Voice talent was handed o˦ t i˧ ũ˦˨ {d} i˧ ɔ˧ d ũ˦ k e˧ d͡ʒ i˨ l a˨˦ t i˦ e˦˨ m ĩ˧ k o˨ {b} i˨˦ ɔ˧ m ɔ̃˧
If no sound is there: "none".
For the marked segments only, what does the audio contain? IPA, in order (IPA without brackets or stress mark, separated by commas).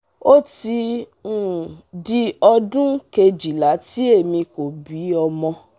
d, b